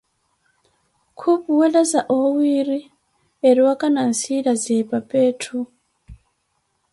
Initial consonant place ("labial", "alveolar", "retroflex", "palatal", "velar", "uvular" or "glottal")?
velar